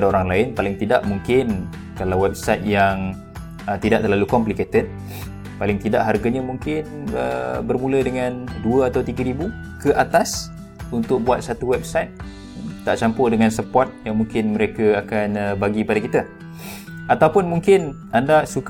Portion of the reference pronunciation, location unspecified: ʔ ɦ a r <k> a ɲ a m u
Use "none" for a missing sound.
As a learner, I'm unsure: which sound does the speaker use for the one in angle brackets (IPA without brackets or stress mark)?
ɡ